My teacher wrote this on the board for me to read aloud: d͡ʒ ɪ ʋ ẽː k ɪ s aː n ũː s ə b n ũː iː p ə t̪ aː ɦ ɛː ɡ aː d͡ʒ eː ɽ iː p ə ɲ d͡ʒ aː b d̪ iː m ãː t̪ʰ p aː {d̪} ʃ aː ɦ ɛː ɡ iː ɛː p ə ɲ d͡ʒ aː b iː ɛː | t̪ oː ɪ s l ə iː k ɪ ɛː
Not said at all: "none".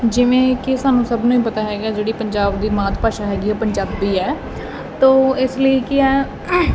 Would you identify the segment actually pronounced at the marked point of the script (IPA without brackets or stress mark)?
none